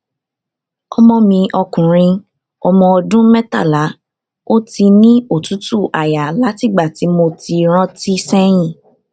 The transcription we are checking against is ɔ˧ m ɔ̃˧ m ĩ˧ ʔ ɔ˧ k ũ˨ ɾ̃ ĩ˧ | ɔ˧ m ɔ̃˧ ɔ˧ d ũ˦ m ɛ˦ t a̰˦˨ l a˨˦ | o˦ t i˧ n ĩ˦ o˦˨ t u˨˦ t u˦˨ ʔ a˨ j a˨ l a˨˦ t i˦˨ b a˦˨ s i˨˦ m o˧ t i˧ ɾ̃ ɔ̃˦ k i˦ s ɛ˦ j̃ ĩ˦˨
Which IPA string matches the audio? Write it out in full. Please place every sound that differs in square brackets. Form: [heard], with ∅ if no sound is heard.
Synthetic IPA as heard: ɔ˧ m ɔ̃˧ m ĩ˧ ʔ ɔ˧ k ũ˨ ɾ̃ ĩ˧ | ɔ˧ m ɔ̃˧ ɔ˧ d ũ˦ m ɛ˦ t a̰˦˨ l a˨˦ | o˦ t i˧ n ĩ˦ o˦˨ t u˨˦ t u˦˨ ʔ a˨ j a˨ l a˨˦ t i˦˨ [ɡ͡b] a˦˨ [t] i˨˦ m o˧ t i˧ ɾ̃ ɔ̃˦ [t] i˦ s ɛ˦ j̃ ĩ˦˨